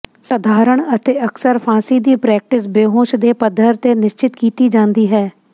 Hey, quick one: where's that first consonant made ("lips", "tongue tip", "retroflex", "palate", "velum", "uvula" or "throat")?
tongue tip